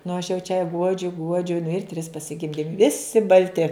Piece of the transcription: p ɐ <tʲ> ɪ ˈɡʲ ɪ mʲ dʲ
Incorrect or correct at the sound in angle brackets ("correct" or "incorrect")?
incorrect